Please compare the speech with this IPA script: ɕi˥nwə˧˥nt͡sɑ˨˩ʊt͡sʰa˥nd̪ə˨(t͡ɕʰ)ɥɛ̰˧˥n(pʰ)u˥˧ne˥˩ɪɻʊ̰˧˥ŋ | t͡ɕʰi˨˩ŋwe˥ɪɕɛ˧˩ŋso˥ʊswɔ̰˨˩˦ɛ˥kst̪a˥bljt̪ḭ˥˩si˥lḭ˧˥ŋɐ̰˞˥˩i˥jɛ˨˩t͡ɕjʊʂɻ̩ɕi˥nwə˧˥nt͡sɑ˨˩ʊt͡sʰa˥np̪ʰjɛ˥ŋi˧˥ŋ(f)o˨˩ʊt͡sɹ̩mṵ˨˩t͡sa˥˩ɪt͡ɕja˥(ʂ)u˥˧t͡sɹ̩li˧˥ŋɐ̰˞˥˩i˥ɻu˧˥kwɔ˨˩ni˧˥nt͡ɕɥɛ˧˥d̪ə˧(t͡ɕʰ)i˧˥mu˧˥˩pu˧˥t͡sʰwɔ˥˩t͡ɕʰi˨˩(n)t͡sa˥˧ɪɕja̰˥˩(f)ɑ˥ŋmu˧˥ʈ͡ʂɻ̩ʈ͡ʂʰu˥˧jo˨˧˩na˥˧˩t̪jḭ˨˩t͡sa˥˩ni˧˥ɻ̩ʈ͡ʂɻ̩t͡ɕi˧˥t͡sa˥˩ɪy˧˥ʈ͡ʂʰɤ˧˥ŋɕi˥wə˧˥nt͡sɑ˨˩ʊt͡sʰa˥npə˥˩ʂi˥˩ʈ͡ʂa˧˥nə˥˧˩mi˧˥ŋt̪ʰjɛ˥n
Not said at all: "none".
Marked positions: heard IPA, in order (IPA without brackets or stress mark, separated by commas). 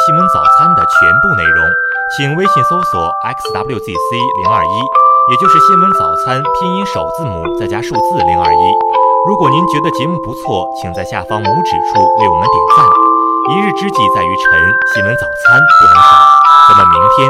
t͡ɕʰ, p, ʂ, ʂ, t͡ɕ, ŋ, f